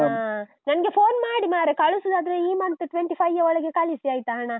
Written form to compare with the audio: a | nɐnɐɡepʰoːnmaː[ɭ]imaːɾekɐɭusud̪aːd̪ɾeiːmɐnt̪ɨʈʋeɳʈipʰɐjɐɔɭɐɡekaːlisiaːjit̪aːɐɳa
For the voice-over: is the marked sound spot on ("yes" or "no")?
no